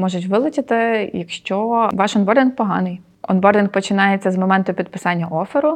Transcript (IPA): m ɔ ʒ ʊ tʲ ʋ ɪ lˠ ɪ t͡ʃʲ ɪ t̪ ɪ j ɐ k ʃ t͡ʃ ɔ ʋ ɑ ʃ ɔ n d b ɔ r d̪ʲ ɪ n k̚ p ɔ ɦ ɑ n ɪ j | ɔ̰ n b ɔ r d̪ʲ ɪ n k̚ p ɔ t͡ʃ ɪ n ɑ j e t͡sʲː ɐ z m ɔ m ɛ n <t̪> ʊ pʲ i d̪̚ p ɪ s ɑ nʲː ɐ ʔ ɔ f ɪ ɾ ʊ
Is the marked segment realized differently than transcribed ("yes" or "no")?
no